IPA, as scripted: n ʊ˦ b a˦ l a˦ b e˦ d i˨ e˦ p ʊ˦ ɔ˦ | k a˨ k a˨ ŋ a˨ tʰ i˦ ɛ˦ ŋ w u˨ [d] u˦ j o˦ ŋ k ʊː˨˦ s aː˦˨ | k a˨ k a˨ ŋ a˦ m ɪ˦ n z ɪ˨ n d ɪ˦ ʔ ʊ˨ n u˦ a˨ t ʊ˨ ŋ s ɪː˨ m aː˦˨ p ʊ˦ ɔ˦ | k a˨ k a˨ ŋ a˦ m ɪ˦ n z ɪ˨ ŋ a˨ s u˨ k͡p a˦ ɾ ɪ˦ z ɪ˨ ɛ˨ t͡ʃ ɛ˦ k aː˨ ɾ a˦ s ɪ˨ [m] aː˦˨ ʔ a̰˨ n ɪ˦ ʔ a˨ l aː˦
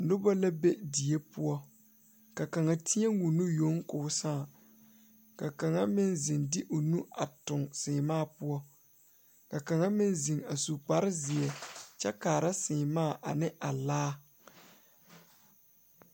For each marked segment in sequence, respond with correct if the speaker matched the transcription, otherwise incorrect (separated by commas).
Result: incorrect, correct